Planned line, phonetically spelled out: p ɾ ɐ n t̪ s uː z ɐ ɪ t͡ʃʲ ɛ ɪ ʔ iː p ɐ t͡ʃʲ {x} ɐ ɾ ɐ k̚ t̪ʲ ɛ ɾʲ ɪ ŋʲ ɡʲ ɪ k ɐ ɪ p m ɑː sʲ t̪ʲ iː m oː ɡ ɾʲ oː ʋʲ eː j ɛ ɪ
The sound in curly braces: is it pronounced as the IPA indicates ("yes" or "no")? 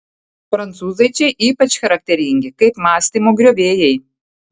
yes